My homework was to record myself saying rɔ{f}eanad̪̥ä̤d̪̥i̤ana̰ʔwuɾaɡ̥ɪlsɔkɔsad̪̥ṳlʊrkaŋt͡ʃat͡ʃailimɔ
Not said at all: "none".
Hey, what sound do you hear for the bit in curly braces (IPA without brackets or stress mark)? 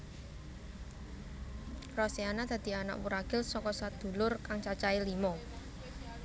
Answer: s